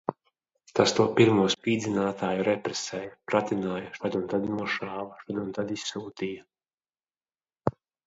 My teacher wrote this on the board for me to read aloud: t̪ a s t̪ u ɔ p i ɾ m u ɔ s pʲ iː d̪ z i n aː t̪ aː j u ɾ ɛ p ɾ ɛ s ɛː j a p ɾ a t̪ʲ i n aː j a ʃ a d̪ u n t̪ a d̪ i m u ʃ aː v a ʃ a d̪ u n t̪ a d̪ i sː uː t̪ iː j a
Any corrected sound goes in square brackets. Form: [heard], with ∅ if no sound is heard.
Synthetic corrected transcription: t̪ a s t̪ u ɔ p i ɾ m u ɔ s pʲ iː d̪ z i n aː t̪ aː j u ɾ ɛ p ɾ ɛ s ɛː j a p ɾ a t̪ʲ i n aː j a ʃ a d̪ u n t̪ a d̪ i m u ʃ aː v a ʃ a d̪ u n t̪ a d̪ i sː uː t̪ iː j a